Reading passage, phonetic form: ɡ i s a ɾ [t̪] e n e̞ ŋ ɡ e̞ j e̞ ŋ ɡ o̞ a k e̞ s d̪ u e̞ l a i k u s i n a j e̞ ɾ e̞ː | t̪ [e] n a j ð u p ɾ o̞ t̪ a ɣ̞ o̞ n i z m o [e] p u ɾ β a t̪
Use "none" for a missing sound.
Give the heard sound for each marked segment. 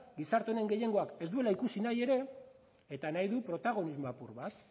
t̪, a, a

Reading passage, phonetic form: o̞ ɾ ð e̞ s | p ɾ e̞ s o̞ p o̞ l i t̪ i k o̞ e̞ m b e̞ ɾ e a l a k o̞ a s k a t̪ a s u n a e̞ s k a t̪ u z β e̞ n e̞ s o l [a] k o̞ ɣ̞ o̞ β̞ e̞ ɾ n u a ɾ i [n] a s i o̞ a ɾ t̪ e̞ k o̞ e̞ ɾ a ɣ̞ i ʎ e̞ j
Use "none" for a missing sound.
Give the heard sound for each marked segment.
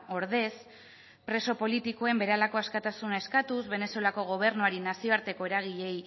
a, n

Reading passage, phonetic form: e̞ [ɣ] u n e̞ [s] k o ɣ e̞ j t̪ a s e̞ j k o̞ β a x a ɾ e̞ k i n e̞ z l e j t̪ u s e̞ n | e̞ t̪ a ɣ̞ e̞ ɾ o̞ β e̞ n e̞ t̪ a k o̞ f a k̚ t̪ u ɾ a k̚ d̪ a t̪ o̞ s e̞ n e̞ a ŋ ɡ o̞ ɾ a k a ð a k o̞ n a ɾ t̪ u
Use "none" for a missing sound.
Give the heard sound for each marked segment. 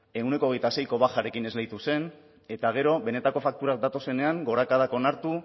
none, none

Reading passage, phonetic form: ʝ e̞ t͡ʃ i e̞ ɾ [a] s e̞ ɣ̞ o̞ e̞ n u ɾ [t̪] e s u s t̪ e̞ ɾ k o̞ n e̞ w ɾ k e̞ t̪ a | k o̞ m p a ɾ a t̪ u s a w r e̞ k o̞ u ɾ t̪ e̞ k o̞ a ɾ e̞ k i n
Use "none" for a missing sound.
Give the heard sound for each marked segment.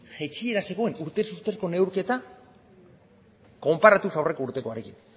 a, t̪

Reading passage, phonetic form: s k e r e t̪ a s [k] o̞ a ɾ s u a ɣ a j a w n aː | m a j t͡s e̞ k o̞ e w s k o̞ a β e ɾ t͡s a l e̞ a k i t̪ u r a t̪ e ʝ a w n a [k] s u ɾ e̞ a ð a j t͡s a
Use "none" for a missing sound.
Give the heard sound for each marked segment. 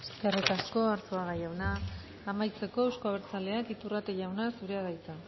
k, none

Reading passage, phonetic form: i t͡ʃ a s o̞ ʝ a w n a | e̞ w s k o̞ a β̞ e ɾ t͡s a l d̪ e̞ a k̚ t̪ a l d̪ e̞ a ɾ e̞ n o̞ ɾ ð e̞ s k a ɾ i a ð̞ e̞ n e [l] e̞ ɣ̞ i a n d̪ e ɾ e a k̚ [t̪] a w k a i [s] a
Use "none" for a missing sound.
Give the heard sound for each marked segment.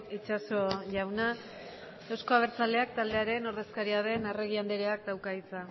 r, d̪, t͡s

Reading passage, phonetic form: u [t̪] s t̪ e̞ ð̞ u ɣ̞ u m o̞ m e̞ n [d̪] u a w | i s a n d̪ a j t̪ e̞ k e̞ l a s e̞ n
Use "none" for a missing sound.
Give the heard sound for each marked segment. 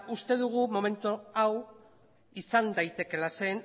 none, t̪

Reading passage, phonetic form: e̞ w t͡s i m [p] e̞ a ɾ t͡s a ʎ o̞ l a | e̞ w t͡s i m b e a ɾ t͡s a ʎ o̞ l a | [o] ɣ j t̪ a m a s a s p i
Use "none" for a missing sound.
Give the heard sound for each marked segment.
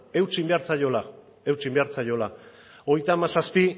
b, o

